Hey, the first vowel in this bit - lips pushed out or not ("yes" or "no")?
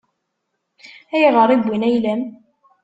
no